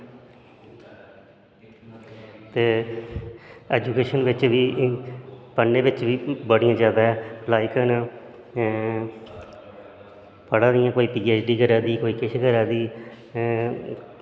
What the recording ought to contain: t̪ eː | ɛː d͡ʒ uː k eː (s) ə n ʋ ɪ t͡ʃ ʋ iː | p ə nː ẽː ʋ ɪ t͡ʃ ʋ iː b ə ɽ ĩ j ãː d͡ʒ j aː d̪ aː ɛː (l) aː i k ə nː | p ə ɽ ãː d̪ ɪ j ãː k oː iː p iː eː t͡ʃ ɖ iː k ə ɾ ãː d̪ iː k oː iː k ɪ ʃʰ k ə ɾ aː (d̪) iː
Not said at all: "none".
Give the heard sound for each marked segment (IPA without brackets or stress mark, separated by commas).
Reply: ʃ, l, d̪